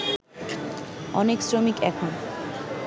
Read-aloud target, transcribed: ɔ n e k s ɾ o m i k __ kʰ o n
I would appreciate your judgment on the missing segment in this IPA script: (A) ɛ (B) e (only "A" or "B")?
A